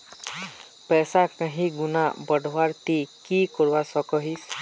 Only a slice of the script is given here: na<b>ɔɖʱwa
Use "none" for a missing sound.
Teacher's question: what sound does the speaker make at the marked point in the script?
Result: b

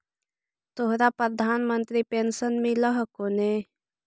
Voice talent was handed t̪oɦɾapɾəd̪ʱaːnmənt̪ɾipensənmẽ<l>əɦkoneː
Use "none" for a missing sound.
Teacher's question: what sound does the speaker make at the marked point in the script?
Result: l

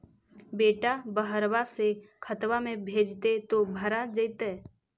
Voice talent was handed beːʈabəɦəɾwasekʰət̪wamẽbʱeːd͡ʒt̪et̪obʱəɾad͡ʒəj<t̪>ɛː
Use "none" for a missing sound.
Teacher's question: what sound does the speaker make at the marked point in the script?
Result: t̪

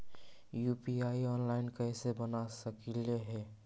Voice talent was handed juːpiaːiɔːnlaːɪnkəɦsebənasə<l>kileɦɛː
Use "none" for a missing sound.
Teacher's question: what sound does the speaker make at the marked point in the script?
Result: none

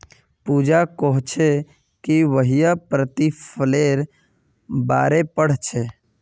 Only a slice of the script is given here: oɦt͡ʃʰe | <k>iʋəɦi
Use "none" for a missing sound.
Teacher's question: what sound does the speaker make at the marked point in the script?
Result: k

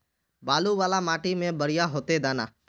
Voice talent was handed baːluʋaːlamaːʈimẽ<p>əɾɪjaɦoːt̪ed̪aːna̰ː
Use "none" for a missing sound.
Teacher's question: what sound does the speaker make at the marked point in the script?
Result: b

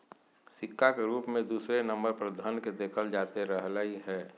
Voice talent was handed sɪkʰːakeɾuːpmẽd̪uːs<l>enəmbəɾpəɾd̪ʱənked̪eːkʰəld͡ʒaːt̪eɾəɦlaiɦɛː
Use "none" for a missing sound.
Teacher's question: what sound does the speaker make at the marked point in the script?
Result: ɾ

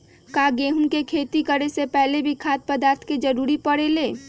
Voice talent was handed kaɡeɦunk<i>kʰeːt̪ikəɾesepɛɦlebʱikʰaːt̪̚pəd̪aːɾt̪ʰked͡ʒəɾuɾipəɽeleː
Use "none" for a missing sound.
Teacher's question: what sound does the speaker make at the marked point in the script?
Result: e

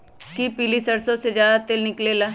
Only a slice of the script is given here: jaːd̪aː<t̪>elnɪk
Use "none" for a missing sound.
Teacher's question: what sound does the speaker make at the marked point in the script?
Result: t̪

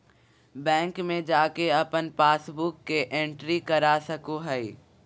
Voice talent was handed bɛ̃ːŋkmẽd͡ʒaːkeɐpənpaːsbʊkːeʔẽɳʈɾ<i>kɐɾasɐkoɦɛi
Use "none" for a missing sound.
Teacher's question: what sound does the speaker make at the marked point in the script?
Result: i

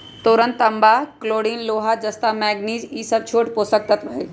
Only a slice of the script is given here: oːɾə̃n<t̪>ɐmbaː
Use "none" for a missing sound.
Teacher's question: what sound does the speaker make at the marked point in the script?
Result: t̪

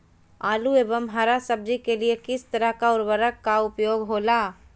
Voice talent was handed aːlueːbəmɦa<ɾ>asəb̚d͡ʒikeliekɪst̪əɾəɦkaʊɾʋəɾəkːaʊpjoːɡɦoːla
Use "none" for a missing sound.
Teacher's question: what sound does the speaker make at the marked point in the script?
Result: ɾ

